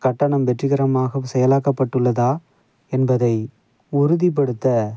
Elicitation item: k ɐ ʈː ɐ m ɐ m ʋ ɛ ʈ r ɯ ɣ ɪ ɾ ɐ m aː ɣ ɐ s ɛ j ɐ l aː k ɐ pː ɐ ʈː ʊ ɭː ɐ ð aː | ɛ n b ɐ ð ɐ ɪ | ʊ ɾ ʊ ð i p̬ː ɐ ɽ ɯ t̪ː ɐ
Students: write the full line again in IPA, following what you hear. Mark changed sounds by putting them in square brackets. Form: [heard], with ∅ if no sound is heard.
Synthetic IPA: k ɐ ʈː ɐ [ɳ] ɐ m ʋ ɛ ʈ r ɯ ɣ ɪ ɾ ɐ m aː ɣ ɐ s ɛ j ɐ l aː k ɐ pː ɐ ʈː [ɯ] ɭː ɐ ð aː | ɛ n b ɐ ð ɐ ɪ | ʊ ɾ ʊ ð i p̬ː ɐ ɽ ɯ t̪ː ɐ